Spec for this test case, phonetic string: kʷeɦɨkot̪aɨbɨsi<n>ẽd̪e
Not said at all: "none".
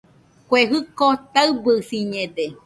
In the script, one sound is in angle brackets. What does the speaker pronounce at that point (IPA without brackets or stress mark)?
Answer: ɲ